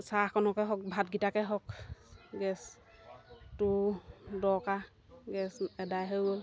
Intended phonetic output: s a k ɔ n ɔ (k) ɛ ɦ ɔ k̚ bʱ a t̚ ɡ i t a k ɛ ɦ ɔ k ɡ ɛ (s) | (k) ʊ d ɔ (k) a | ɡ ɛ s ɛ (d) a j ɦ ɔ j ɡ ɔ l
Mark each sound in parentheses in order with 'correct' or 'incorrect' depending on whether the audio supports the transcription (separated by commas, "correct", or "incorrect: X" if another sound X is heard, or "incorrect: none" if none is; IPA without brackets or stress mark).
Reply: correct, correct, incorrect: t, correct, correct